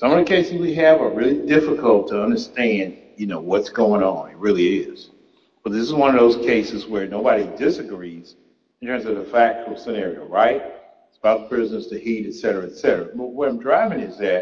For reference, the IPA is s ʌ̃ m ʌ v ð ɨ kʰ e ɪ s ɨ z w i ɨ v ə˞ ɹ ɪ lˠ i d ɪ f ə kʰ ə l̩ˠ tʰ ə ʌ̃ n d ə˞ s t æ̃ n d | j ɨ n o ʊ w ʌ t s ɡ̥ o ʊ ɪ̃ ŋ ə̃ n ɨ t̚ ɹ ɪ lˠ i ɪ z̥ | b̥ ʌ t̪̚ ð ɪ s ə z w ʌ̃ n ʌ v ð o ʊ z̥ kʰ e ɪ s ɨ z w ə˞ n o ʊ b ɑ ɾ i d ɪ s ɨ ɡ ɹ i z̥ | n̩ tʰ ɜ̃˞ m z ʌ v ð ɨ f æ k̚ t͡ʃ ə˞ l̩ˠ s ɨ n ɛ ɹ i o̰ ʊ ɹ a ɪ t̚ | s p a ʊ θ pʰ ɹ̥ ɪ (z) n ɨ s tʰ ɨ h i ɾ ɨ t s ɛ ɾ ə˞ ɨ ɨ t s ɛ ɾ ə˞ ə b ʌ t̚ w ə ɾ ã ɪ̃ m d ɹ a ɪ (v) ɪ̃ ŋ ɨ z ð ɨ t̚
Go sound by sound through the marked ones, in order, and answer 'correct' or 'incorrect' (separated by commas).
correct, correct